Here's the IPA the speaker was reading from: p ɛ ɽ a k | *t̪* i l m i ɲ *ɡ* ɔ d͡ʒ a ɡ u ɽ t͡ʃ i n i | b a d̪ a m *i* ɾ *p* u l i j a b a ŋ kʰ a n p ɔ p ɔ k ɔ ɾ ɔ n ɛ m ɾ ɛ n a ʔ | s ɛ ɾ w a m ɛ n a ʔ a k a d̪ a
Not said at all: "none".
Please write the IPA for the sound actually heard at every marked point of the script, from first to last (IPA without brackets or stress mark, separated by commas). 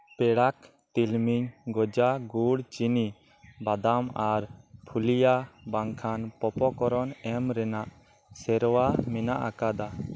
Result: t̪, ɡ, a, pʰ